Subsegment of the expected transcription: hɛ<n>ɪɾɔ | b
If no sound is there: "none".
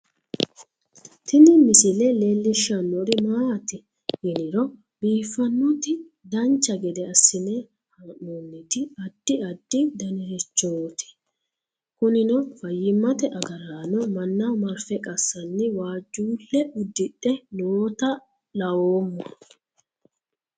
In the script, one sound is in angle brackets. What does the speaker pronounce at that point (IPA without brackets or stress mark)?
n